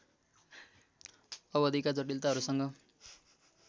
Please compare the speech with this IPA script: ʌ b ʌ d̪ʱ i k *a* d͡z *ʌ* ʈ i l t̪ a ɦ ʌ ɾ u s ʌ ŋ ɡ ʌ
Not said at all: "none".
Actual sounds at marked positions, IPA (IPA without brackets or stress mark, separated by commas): a, ʌ